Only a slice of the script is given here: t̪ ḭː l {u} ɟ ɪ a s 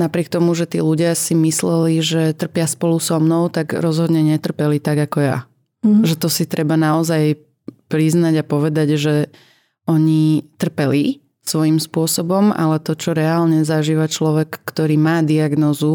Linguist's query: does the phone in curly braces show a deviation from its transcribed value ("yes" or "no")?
no